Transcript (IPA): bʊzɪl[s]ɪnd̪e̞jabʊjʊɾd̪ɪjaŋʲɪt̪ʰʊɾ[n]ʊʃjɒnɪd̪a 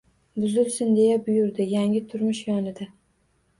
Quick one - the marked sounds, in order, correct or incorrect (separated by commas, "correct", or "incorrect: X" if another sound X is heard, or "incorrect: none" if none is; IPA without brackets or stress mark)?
correct, incorrect: m